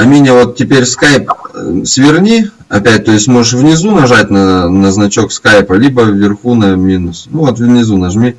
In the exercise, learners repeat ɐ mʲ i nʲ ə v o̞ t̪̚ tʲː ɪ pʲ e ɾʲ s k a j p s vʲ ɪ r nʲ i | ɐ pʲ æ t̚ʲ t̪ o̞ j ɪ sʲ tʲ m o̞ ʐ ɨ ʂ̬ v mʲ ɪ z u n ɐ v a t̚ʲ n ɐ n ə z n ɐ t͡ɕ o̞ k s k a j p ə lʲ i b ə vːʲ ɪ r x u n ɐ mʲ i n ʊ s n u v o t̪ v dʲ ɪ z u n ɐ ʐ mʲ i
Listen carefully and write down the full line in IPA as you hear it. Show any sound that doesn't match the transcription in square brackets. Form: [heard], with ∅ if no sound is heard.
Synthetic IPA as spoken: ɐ mʲ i nʲ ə v o̞ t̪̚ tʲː ɪ pʲ e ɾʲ s k a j p s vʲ ɪ r nʲ i | ɐ pʲ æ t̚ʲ t̪ o̞ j ɪ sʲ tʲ m o̞ ʐ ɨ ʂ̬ v [nʲ] ɪ z u n ɐ [ʐ] a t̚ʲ n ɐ n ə z n ɐ t͡ɕ o̞ k s k a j p ə lʲ i b ə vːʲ ɪ r x u n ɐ mʲ i n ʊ s n u v o t̪ v [nʲ] ɪ z u n ɐ ʐ mʲ i